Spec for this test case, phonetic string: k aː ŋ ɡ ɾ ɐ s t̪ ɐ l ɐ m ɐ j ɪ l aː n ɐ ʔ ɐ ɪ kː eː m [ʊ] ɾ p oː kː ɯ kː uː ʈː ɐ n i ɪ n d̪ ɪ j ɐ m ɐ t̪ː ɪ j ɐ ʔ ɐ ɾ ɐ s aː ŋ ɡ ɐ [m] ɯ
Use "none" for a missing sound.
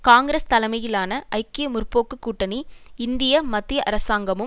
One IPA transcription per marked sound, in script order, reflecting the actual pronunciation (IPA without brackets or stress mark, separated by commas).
ʊ, m